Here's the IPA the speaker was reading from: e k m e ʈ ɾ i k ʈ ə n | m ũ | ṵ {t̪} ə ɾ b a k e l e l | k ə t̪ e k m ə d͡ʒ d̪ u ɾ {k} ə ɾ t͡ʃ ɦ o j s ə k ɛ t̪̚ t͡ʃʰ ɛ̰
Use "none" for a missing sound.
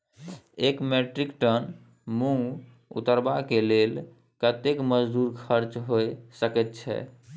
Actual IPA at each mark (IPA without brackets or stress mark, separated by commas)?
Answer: t̪, kʰ